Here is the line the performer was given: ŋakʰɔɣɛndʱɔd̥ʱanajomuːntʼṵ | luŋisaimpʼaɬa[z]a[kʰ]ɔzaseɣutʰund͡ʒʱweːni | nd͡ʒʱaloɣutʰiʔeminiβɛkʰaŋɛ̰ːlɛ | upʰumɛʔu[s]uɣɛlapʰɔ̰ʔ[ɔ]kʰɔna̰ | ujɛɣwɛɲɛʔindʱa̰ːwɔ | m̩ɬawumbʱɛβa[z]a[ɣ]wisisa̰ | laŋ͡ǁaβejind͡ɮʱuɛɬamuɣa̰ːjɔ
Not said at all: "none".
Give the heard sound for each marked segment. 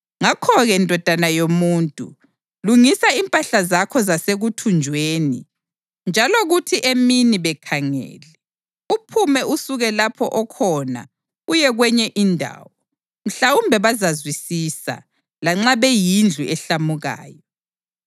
z, kʰ, s, ɔ, z, z

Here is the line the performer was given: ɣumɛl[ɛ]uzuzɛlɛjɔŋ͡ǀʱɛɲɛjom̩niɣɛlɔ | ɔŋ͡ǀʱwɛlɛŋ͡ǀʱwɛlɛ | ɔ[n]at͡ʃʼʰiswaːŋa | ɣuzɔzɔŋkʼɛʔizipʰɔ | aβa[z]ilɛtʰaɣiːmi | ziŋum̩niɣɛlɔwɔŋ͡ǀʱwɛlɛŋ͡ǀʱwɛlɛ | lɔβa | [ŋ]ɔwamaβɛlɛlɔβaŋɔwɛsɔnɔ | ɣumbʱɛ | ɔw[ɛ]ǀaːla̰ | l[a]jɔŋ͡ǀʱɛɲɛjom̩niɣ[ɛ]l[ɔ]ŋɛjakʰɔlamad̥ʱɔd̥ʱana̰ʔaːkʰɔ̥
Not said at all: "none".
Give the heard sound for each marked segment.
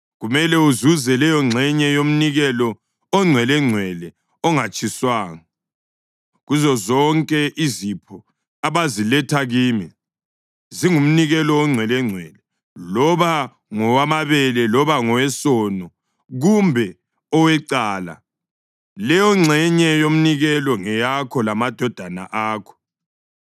ɛ, ŋ, z, ŋ, ɛ, ɛ, ɛ, ɔ

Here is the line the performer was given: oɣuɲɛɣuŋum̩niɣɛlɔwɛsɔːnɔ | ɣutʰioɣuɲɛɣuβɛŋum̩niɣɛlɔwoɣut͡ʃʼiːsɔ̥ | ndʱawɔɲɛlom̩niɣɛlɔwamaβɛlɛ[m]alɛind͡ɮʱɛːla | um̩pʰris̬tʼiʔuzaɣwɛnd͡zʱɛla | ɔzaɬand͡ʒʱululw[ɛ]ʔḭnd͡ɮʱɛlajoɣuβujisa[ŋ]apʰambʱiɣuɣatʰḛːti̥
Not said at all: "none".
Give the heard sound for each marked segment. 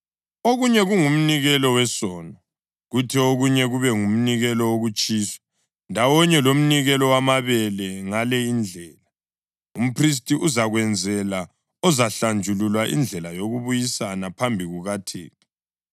ŋ, a, n

